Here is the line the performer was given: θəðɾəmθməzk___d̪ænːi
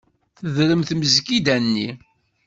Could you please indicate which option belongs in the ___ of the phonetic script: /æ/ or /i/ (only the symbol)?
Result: i